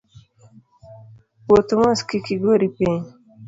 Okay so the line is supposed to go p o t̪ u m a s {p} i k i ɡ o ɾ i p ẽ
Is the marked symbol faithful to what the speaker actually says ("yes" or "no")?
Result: no